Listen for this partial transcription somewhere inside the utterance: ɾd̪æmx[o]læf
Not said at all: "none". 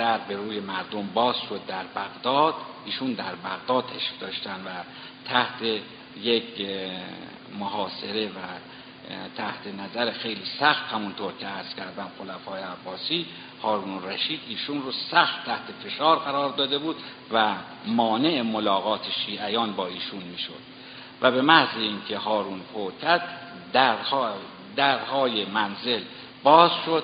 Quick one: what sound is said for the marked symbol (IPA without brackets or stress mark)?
o